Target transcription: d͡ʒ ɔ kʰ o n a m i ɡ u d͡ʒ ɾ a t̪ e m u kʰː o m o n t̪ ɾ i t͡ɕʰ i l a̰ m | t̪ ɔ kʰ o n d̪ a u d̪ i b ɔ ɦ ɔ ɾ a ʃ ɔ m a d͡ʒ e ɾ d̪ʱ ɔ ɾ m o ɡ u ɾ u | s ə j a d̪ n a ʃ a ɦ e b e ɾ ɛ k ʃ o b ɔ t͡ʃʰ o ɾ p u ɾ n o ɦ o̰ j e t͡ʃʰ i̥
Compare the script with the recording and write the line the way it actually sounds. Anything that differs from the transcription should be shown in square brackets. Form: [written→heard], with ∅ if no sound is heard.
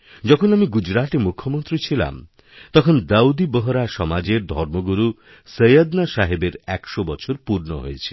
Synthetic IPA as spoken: d͡ʒ ɔ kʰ o n a m i ɡ u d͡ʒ ɾ a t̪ e m u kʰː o m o n t̪ ɾ i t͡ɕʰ i l a̰ m | t̪ ɔ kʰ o n d̪ a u d̪ i b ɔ ɦ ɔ ɾ a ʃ ɔ m a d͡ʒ e ɾ d̪ʱ ɔ ɾ m o ɡ u ɾ u | s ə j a d̪ n a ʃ a ɦ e b e ɾ ɛ k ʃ o b ɔ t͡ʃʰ o ɾ p u ɾ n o ɦ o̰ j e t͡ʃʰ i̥